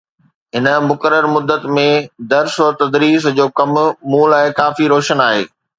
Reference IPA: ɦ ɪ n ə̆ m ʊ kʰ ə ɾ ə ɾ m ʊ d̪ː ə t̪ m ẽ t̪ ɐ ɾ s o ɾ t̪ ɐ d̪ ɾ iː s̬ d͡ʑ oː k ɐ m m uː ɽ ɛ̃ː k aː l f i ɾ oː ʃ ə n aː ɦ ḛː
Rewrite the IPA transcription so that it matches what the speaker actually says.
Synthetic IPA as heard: ɦ ɪ n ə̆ m ʊ k ə ɾ ə ɾ m ʊ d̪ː ə t̪ m ẽ d̪ ɐ ɾ s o ɾ t̪ ɐ d̪ ɾ iː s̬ d͡ʑ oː k ɐ m m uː l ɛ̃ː k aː f i ɾ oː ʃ ə n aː ɦ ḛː